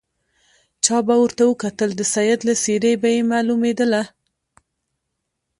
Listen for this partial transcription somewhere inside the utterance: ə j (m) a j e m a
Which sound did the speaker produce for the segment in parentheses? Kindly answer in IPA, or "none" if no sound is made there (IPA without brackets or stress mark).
b